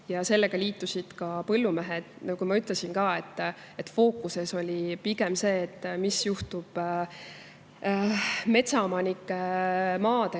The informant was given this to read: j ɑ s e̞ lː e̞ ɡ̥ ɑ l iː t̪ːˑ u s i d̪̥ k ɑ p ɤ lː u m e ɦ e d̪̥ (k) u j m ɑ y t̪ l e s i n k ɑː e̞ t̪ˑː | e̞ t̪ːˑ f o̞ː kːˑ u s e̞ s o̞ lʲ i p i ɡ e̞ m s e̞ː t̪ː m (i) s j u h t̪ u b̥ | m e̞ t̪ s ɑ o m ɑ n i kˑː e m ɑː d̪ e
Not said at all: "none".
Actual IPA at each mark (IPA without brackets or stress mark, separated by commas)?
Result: k, i